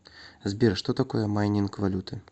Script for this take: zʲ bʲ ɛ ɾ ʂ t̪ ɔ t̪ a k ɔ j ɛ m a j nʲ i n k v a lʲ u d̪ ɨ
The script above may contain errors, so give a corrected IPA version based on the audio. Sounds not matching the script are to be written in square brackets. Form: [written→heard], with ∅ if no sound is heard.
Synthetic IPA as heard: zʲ bʲ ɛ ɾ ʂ t̪ ɔ t̪ a k ɔ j ɛ m a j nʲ i n k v a lʲ u [d̪→t̪] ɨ